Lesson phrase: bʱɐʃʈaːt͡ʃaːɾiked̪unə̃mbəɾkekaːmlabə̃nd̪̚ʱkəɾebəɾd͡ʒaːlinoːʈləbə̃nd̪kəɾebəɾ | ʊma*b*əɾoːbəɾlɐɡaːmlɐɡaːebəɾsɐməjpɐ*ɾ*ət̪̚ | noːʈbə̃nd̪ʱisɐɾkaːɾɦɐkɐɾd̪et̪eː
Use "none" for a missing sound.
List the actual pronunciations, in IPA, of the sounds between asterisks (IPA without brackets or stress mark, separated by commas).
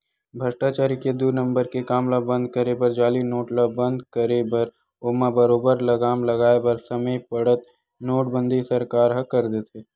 b, ɽ